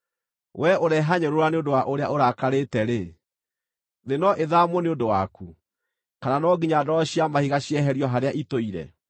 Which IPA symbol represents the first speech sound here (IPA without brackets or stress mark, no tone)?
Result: w